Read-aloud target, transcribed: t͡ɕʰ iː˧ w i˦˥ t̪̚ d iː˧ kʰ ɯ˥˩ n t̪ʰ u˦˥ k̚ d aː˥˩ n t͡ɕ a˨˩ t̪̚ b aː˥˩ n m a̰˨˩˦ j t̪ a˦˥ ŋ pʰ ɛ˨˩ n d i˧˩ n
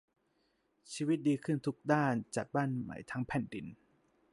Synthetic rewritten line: t͡ɕʰ iː˧ w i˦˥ t̪̚ d iː˧ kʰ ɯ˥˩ n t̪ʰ u˦˥ k̚ d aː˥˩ n t͡ɕ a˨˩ t̪̚ b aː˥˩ n m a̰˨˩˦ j t̪ʰ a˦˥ ŋ pʰ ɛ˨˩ n d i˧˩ n